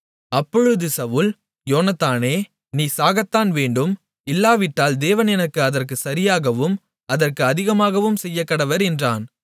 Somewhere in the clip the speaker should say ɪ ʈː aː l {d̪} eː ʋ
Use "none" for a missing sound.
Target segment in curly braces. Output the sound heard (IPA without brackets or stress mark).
d̪